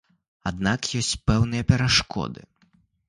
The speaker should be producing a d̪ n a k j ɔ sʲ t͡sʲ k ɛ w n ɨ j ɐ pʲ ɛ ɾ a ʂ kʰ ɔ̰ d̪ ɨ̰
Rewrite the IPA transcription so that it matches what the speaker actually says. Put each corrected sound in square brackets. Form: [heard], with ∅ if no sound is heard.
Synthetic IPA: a d̪ n a k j ɔ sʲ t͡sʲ [p] ɛ w n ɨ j ɐ pʲ ɛ ɾ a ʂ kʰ ɔ̰ d̪ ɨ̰